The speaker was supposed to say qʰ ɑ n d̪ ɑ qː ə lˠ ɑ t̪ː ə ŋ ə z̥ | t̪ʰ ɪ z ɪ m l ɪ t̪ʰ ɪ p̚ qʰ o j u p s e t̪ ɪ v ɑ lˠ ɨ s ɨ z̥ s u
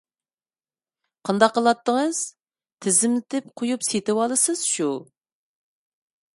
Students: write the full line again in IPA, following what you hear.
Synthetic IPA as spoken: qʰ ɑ n d̪ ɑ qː ə lˠ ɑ t̪ː ə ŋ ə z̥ | t̪ʰ ɪ z ɪ m l ɪ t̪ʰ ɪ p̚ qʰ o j u p s e t̪ ɪ w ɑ lˠ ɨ s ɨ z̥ ʃ u